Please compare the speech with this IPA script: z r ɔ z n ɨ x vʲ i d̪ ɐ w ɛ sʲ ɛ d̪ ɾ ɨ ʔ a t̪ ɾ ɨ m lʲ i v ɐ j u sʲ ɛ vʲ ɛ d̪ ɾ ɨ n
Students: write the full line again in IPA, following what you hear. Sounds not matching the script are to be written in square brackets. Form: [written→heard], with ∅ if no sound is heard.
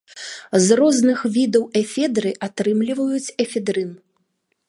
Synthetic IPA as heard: z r ɔ z n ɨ x vʲ i d̪ ɐ w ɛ [sʲ→fʲ] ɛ d̪ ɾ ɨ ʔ a t̪ ɾ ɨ m lʲ i v ɐ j u [sʲ→t͡sʲ] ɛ [vʲ→fʲ] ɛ d̪ ɾ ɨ n